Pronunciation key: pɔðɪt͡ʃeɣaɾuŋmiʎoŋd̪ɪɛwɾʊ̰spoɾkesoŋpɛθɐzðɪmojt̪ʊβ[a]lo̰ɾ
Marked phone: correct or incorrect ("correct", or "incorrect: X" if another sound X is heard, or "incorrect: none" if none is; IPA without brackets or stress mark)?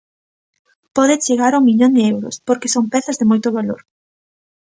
correct